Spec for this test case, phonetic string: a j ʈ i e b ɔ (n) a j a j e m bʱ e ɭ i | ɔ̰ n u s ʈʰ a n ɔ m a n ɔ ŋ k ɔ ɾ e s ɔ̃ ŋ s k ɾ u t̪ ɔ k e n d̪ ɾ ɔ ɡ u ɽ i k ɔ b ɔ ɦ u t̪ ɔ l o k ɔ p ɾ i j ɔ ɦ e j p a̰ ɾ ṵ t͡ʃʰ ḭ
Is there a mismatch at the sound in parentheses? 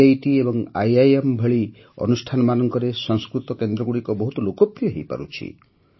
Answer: yes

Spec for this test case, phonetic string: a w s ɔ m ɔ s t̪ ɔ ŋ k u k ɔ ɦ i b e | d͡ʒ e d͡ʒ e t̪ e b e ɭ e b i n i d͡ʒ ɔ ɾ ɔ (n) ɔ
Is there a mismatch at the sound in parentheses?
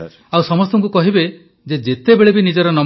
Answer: no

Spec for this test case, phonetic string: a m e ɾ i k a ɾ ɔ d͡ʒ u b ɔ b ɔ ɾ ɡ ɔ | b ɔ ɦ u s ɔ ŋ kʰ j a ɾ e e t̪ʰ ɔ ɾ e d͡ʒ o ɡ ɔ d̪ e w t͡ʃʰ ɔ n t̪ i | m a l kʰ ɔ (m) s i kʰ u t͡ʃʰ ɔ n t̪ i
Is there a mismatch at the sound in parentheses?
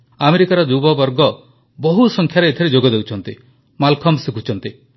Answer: no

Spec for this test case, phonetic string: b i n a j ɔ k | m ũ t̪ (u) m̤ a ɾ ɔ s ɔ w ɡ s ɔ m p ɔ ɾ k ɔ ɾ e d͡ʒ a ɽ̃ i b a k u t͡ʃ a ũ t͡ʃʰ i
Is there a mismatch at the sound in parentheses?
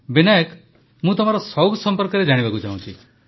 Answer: yes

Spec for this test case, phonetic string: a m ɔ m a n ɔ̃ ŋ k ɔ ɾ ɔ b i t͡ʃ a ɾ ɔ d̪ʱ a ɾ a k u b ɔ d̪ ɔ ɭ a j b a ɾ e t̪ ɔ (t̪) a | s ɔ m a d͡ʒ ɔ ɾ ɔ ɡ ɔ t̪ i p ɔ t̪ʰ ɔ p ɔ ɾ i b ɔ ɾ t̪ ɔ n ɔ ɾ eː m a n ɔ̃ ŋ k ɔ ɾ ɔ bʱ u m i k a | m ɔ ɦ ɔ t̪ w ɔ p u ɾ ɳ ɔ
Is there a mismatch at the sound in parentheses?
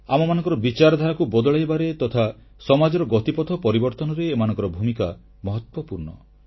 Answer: yes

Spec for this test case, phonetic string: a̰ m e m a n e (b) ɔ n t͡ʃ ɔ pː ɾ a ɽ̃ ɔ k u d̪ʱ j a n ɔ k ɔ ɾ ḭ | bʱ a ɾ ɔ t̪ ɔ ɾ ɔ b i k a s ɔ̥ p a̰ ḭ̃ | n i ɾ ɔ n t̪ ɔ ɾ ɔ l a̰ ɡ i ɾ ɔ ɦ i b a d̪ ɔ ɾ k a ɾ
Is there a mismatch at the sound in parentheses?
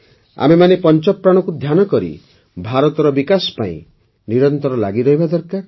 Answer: yes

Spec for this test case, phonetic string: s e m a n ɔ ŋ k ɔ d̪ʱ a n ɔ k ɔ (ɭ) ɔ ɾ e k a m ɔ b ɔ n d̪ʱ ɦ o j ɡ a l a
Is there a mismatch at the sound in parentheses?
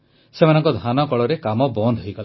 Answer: no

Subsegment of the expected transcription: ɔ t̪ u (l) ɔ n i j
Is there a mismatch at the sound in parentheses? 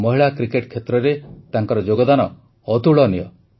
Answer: yes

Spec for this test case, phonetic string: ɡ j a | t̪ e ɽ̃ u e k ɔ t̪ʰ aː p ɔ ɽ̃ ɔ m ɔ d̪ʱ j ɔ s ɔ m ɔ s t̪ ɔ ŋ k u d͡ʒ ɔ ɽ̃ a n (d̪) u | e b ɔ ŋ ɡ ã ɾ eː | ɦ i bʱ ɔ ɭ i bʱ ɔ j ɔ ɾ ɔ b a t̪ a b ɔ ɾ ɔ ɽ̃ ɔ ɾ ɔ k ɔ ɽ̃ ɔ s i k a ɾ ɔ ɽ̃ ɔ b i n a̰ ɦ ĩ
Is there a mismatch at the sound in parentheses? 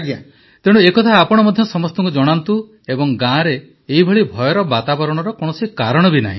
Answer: yes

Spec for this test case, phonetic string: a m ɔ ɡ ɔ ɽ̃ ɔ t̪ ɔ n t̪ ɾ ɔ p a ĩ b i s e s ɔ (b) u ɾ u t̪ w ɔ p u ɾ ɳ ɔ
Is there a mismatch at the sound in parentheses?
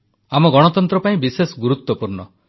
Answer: yes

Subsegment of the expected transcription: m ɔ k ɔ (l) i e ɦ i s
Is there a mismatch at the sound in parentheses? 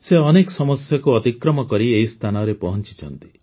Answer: yes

